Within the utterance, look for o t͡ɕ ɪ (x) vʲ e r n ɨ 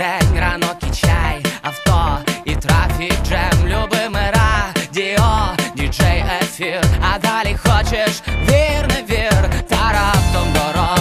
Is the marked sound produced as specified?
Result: no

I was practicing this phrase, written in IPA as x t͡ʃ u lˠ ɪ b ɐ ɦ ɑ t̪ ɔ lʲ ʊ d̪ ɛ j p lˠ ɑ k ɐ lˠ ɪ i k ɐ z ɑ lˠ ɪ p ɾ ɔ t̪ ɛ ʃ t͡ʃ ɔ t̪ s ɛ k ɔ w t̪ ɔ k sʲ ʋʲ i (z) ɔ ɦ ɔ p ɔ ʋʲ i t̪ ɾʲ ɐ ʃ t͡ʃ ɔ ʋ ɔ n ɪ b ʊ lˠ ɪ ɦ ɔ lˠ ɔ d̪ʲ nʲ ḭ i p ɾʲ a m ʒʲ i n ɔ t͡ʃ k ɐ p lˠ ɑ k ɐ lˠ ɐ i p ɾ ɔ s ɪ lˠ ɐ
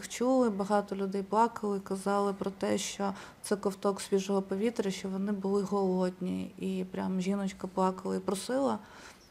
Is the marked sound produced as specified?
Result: no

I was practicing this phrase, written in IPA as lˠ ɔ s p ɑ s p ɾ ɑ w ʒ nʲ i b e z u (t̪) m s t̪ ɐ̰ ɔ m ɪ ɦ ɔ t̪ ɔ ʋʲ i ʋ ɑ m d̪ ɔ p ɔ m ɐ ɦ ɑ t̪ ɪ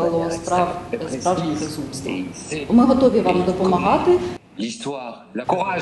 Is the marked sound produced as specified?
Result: no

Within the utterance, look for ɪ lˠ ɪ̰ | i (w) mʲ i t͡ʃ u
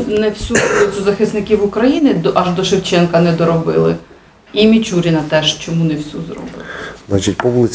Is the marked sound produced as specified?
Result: no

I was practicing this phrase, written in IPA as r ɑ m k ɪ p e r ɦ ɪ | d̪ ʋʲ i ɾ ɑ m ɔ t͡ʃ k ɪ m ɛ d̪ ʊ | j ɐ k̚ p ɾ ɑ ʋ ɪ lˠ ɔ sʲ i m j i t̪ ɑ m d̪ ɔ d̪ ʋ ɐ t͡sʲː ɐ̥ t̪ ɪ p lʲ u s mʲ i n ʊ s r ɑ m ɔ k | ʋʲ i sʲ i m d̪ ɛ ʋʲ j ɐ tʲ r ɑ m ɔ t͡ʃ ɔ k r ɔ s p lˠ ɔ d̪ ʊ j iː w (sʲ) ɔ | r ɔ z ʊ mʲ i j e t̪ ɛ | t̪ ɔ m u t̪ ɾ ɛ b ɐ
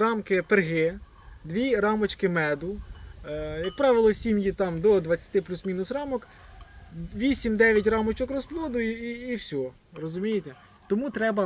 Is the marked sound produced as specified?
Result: yes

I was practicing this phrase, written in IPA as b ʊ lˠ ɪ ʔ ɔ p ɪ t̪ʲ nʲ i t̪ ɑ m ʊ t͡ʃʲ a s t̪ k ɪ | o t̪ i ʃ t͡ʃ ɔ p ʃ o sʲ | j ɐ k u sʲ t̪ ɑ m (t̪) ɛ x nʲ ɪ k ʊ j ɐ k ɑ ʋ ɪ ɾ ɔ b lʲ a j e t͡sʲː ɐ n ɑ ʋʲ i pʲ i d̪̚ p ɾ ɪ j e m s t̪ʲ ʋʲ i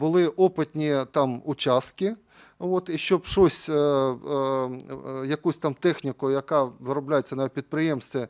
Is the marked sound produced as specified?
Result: yes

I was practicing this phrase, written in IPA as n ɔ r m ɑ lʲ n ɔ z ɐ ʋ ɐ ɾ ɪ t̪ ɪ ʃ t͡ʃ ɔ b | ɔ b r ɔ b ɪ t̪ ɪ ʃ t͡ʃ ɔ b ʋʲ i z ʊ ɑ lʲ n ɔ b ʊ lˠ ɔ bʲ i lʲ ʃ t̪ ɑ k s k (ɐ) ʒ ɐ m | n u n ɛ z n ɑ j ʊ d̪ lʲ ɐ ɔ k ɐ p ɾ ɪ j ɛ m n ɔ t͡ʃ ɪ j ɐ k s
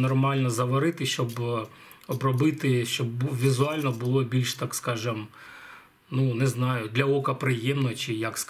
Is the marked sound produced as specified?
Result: no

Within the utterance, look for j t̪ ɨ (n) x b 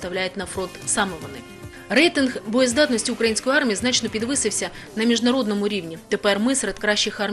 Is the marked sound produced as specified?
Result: yes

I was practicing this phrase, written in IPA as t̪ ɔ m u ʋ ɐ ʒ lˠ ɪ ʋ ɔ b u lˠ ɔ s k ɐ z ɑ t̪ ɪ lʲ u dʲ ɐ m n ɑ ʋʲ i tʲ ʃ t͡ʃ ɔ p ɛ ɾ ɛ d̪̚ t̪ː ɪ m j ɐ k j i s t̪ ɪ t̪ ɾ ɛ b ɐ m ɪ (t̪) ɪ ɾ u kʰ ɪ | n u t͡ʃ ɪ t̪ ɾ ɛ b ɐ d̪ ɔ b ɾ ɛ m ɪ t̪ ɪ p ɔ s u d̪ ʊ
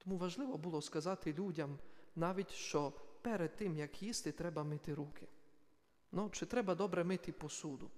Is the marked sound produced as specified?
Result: yes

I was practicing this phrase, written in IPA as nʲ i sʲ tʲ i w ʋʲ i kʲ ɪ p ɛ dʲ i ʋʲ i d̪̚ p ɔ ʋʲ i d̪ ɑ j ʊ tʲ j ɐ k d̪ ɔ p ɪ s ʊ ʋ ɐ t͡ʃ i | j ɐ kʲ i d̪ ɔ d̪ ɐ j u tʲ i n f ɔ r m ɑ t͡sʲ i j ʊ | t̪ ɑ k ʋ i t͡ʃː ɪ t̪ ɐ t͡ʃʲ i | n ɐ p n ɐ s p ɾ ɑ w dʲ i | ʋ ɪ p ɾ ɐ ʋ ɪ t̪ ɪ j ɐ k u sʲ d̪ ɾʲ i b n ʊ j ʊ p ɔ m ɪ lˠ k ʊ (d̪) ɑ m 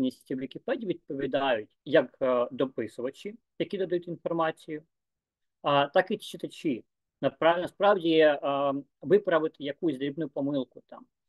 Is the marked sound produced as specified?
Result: no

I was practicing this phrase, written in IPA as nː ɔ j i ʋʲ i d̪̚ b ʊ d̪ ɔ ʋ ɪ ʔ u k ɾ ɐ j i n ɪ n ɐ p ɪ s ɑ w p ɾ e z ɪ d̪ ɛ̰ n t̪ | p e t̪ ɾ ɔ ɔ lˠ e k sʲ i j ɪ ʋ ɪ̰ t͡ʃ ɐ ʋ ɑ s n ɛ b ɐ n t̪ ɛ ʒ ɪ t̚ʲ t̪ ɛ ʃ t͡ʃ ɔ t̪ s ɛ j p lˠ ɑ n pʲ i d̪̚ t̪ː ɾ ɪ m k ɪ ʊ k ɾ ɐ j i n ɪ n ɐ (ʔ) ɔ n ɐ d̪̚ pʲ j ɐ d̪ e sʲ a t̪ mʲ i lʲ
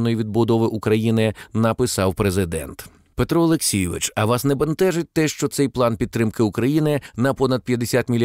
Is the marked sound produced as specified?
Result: no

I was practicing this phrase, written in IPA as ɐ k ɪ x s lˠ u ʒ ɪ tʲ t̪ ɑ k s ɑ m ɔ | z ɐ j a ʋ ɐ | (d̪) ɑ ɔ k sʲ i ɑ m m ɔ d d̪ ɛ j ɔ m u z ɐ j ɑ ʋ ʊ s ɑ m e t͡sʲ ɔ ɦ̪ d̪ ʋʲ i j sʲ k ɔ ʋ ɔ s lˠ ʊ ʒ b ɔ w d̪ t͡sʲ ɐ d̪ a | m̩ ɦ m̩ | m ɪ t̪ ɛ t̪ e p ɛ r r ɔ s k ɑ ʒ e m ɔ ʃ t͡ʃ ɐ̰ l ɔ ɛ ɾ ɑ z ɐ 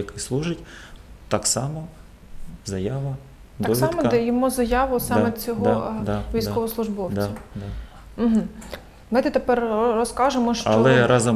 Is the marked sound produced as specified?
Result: yes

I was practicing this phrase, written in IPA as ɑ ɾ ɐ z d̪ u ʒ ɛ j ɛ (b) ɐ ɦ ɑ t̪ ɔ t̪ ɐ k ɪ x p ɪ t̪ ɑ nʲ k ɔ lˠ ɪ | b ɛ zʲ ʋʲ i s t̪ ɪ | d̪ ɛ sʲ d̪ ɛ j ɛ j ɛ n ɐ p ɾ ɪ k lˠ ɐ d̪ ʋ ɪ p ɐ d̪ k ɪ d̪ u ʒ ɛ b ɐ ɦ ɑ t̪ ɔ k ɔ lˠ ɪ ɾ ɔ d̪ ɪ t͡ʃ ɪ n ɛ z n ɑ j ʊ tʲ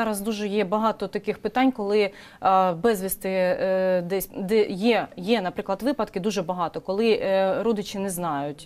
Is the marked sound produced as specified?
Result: yes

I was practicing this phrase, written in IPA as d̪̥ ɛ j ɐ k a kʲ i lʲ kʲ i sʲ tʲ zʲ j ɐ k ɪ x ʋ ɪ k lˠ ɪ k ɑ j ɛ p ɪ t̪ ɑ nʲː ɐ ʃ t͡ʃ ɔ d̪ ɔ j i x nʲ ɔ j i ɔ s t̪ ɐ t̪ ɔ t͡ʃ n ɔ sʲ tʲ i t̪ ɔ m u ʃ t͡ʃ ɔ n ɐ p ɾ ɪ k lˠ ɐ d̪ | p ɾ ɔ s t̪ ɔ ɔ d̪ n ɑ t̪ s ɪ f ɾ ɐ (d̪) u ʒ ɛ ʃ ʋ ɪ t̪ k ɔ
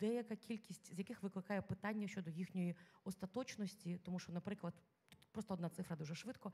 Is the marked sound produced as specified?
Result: yes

